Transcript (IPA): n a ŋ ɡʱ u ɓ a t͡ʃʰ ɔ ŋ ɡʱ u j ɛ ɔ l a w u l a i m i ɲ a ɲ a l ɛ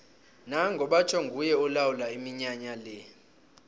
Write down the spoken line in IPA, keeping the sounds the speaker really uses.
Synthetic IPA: n a ŋ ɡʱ ɔ ɓ a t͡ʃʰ ɔ ŋ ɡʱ u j ɛ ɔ l a w u l a i m i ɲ a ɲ a l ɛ